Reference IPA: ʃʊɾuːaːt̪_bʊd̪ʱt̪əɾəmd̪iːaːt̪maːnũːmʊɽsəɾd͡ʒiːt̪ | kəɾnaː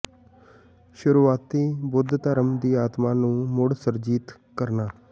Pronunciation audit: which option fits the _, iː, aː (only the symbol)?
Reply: iː